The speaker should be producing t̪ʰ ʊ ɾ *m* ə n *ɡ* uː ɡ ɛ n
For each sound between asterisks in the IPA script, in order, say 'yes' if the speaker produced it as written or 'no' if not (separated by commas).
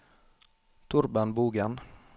no, no